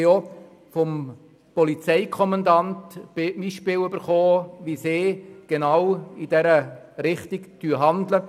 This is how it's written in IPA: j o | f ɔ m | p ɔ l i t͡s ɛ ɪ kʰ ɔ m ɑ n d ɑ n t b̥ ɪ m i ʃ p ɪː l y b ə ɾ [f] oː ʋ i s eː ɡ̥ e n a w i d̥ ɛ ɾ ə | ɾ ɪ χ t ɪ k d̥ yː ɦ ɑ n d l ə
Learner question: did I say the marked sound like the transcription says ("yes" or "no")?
no